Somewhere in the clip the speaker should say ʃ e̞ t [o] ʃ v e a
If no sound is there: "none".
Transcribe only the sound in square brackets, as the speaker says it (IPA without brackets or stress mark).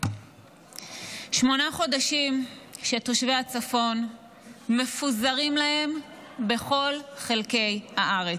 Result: o